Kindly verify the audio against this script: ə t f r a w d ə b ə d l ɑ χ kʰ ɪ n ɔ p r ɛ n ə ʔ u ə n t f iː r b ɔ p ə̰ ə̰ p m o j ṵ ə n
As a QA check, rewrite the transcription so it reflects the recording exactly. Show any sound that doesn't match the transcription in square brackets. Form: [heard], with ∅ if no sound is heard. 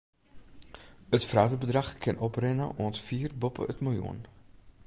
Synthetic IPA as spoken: ə t f r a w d ə b ə d [r] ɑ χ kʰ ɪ n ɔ p r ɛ n ə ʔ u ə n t f iː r b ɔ p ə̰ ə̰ [t] m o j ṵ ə n